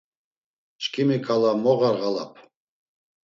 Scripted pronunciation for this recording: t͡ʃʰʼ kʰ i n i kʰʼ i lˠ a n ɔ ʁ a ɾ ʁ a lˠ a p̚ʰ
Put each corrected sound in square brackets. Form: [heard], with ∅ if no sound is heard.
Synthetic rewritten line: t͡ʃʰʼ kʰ i [m] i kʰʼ [a] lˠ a [m] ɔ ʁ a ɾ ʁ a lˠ a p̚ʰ